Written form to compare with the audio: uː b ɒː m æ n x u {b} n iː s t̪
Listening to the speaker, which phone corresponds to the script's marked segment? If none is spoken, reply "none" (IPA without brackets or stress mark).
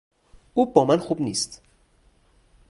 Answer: b